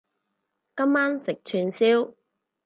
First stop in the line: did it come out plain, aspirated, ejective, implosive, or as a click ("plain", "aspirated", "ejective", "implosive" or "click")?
plain